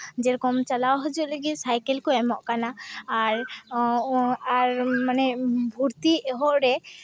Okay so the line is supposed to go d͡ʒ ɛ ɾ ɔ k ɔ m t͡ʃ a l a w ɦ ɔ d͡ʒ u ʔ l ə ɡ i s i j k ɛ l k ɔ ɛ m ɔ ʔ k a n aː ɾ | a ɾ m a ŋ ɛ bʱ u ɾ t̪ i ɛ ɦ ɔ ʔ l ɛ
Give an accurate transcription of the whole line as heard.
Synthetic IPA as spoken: d͡ʒ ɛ ɾ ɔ k ɔ m t͡ʃ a l a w ɦ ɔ d͡ʒ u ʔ l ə ɡ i s a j k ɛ l k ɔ ɛ m ɔ ʔ k a n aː ɾ | a ɾ m a n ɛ bʱ u ɾ t̪ i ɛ ɦ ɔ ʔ ɾ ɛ